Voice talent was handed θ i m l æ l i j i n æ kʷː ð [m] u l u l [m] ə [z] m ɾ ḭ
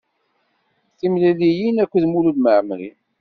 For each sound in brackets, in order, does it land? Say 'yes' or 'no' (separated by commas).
yes, yes, no